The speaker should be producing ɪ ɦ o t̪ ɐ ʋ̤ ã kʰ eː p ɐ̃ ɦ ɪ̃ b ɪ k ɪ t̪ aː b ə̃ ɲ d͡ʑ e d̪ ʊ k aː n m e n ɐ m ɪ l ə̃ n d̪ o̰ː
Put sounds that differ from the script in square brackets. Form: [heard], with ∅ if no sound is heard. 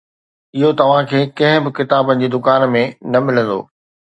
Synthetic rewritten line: ɪ ɦ o t̪ ɐ ʋ̤ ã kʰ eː [k] ɐ̃ ɦ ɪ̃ b ɪ k ɪ t̪ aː b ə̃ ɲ d͡ʑ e d̪ ʊ k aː n m [ẽ] n ɐ m ɪ l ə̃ n d̪ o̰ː